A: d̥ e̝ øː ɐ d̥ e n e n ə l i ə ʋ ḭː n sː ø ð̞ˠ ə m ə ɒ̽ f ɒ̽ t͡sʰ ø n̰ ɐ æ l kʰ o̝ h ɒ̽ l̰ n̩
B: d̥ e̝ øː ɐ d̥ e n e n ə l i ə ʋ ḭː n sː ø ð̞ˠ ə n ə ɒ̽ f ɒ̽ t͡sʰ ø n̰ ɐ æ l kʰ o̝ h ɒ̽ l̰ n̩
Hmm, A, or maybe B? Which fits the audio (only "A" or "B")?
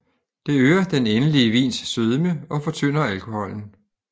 A